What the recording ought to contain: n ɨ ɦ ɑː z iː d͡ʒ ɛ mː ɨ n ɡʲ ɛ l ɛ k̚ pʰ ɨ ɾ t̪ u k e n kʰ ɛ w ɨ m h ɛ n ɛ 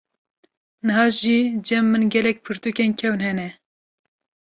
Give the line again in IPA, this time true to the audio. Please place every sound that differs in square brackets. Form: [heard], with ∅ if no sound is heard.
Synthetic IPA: n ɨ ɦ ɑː [ʒ] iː d͡ʒ ɛ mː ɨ n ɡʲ ɛ l ɛ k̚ pʰ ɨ ɾ t̪ u k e n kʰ ɛ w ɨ [n] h ɛ n ɛ